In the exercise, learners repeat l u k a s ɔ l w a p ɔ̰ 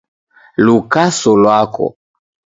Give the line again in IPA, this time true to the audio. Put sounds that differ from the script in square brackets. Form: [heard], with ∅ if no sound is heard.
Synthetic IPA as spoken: l u k a s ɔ l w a [k] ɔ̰